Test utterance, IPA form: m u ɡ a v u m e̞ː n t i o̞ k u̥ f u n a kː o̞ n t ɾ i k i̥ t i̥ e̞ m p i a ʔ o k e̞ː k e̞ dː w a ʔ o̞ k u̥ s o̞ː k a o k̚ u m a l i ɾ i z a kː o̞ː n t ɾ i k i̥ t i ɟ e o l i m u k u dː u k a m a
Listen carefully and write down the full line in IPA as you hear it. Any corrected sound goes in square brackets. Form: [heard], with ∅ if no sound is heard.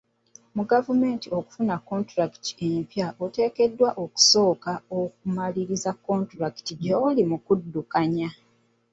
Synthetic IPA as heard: m u ɡ a v u m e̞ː n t i o̞ k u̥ f u n a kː o̞ n t ɾ [a] k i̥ t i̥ e̞ m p [j] a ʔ o [t] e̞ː k e̞ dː w a ʔ o̞ k u̥ s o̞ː k a o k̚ u m a l i ɾ i z a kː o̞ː n t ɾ [a] k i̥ t i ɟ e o l i m u k u dː u k a [ɲ] a